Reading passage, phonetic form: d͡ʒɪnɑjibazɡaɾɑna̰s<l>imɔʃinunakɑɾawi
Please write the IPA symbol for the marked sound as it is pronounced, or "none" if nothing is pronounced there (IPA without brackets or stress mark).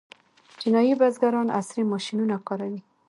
ɾ